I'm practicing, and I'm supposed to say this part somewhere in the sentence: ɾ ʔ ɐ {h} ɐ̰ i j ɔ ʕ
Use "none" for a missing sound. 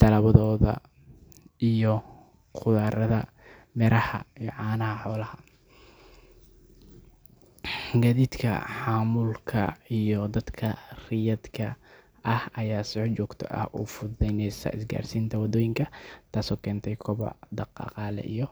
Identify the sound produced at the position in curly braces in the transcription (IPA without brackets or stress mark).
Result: h